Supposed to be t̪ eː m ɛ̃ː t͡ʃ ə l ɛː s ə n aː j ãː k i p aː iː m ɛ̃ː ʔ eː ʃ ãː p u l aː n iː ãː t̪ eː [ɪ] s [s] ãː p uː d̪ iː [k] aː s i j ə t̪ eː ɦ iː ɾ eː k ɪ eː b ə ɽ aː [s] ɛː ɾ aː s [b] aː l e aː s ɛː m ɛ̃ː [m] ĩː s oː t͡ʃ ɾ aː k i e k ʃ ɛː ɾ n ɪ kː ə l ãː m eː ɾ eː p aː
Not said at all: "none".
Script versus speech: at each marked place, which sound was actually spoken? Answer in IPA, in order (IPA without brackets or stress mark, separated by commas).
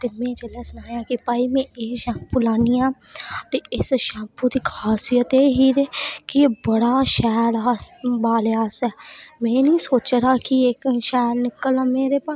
ɪ, ʃ, kʰ, ʃ, b, n